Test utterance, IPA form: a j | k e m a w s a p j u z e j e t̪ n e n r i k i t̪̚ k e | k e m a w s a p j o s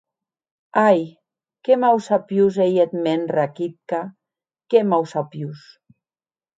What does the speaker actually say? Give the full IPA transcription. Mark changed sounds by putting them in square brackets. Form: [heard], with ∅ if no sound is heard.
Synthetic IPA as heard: a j | k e m a w s a p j u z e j e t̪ [m] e n r [a] k i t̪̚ k [a] | k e m a w s a p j [u] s